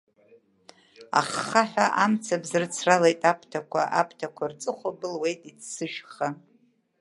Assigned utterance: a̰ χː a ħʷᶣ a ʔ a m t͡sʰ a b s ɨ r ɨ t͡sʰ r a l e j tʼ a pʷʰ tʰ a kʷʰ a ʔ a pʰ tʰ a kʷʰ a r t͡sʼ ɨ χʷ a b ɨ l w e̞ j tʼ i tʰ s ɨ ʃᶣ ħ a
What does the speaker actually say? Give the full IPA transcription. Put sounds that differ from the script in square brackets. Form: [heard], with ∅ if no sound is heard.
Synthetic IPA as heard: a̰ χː a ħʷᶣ a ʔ a m t͡sʰ a b [z] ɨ r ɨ t͡sʰ r a l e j tʼ a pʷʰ tʰ a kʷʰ a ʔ a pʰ tʰ a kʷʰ a r t͡sʼ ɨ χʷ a b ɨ l w e̞ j tʼ i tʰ s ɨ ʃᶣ [χ] a

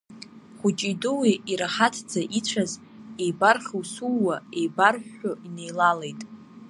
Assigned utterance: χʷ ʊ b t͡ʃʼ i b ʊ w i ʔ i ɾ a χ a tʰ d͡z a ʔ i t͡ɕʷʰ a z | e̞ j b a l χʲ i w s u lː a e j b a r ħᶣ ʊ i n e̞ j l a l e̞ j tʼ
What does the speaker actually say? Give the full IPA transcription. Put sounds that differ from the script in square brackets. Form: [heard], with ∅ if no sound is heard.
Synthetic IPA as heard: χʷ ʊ [∅] t͡ʃʼ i [d] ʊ w i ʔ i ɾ a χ a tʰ d͡z a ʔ i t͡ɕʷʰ a z | e̞ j b a [r] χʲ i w s u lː a e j b a r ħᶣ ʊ i n e̞ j l a l e̞ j tʼ

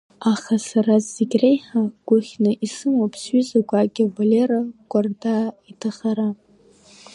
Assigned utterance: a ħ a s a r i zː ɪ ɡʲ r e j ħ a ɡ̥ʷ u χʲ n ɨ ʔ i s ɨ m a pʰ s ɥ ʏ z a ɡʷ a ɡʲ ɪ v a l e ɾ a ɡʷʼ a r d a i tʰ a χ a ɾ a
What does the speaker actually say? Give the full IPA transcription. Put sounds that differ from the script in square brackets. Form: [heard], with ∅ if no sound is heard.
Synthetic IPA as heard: a [χ] a s a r [a] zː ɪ ɡʲ r e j ħ a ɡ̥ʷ [ʊ] χʲ n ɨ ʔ i s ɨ m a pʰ s ɥ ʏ z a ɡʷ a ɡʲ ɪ v a l e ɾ a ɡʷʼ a r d a i tʰ a χ a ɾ a

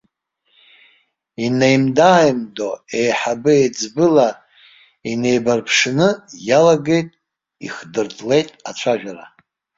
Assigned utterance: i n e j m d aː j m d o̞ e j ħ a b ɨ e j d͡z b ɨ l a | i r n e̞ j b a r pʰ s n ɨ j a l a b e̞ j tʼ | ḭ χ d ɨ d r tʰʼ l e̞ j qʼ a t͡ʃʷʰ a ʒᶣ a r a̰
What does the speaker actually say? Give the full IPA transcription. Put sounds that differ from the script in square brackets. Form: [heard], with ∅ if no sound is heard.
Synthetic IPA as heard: i n e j m d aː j m d o̞ e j ħ a b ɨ e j d͡z b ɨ l a | i [∅] n e̞ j b a r pʰ [ʂ] n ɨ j a l a [ɡ] e̞ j tʼ | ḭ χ d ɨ [∅] r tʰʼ l e̞ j [tʼ] a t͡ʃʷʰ a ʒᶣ a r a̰

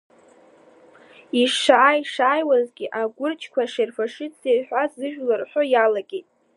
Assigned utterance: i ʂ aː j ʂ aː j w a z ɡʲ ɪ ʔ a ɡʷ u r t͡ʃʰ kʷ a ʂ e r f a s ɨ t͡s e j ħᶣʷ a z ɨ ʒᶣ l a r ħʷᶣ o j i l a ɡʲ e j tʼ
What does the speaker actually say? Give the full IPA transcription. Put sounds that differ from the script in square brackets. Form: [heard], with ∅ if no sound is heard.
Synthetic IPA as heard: i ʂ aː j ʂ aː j w a z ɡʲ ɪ ʔ a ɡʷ [ʊ] r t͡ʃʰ kʷ a ʂ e r f a [ʂ] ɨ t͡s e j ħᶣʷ a z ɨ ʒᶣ l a r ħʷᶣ o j [a] l a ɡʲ e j tʼ

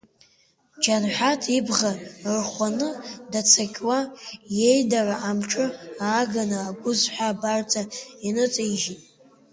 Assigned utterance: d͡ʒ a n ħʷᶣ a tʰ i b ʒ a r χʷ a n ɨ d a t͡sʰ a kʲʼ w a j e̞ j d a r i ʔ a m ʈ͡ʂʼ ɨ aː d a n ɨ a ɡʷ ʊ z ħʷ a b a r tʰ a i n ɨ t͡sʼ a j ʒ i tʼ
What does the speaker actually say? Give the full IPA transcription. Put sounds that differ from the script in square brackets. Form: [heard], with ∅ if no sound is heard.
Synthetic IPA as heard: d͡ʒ a n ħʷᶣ a tʰ i b [ʁ] a r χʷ a n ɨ d a t͡sʰ a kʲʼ w a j e̞ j d a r [a] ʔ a m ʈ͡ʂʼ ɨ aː [ɡ] a n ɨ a ɡʷ ʊ z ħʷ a b a r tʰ a i n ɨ t͡sʼ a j ʒ i tʼ

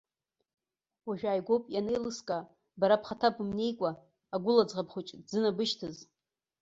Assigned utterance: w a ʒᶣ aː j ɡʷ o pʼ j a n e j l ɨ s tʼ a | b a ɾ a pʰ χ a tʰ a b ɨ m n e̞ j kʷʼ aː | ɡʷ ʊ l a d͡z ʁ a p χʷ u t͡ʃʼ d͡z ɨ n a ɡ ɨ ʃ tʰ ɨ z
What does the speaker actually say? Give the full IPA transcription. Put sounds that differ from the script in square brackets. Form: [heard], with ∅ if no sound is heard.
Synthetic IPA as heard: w a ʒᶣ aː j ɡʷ o pʼ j a n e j l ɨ s [kʼ] a | b a ɾ a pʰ χ a tʰ a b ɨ m n e̞ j kʷʼ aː | ɡʷ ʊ l a d͡z ʁ a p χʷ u t͡ʃʼ d͡z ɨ n a [b] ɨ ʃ tʰ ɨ z

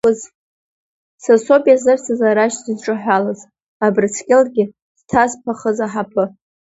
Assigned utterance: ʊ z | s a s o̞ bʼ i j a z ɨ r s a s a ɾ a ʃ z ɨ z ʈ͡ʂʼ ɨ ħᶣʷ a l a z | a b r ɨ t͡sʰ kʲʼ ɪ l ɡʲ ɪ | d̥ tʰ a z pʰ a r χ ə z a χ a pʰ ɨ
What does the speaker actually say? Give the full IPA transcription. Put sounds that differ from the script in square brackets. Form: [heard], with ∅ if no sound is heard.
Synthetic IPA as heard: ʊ z | s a s o̞ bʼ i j a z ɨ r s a [z] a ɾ a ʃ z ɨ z ʈ͡ʂʼ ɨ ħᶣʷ a l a z | a b r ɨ t͡sʰ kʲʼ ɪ l ɡʲ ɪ | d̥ tʰ a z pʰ a [∅] χ ə z a [ħ] a pʰ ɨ

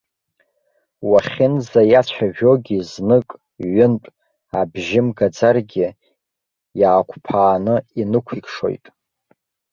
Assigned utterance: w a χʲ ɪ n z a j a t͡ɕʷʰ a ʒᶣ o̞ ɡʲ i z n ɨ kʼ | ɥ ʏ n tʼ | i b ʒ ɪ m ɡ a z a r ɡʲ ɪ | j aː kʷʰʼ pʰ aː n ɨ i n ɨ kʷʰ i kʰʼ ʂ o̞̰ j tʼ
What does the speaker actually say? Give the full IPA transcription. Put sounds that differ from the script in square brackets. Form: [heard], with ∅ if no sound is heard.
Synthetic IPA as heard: w a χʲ ɪ n z a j a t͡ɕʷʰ a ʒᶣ o̞ ɡʲ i z n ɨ kʼ | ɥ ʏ n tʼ | [a] b ʒ ɪ m ɡ a [d͡z] a r ɡʲ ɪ | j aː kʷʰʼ pʰ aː n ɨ i n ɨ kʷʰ i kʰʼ ʂ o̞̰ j tʼ

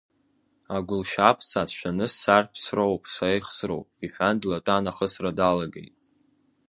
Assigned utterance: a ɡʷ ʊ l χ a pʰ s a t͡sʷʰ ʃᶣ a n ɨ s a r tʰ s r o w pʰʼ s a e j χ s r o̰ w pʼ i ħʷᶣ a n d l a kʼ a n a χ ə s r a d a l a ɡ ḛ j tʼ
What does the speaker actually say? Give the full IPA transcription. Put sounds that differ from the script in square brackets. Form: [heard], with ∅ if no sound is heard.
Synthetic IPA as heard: a ɡʷ ʊ l [ʃ] a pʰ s a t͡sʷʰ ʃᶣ a n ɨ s a r [pʰ] s r o w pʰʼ s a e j χ s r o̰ w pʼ i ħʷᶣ a n d l a [tʼ] a n a χ ə s r a d a l a ɡ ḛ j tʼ

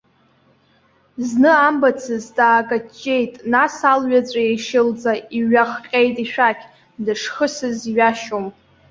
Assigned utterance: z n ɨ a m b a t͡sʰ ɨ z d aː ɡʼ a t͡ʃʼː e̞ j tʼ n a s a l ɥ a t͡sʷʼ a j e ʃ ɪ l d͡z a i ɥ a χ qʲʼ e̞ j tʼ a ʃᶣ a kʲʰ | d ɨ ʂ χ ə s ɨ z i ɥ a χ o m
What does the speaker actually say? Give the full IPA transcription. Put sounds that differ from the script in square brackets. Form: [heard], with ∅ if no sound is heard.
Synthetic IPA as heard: z n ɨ a m b a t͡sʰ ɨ z d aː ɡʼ a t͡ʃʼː e̞ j tʼ n a s a l ɥ a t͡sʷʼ a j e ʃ ɪ l d͡z a i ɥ a χ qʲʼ e̞ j tʼ [i] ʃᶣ a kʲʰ | d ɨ ʂ χ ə s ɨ z i ɥ a [ʃ] o m

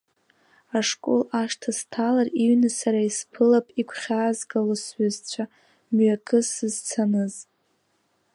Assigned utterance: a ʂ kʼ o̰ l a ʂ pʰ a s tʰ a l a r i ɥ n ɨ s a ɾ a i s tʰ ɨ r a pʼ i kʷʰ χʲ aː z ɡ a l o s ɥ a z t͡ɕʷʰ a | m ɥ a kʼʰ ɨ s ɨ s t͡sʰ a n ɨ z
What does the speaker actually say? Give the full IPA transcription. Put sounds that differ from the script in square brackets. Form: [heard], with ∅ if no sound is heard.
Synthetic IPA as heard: a ʂ kʼ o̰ l a ʂ [tʰ] a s tʰ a l a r i ɥ n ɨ s a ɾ a i s [pʰ] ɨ [l] a pʼ i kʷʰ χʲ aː z ɡ a l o s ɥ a z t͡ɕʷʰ a | m ɥ a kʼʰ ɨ s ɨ [z] t͡sʰ a n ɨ z

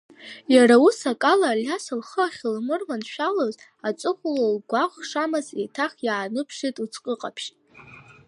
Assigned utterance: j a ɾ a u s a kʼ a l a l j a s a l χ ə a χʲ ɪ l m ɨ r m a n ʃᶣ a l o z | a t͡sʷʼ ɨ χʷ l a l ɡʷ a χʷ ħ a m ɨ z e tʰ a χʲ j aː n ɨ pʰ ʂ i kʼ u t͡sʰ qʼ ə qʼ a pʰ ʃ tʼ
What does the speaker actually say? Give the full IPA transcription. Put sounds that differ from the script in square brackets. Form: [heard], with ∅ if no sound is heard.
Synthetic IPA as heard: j a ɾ a u s a kʼ a l a l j a s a l χ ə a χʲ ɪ l m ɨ r m a n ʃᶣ a l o z | a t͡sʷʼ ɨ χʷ l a l ɡʷ a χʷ [ʂ] a m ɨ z e tʰ a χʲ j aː n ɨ pʰ ʂ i [tʼ] u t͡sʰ qʼ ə qʼ a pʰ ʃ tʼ

